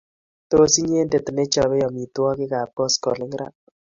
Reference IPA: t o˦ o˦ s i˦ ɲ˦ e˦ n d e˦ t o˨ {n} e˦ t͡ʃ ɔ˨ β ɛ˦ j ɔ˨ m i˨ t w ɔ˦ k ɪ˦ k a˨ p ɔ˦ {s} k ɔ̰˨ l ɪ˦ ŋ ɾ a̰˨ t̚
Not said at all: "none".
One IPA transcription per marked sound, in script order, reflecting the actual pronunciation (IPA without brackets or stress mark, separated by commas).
n, s